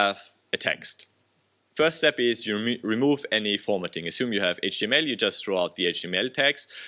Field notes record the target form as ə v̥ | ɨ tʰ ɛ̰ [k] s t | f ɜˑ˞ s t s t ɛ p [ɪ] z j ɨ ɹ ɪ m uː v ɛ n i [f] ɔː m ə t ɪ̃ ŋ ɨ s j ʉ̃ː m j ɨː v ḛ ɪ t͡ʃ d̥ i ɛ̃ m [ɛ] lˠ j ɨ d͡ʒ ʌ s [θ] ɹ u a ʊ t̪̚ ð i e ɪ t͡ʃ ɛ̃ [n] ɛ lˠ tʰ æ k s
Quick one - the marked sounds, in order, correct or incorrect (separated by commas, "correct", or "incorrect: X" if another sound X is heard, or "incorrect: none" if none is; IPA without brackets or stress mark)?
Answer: correct, correct, correct, correct, correct, incorrect: m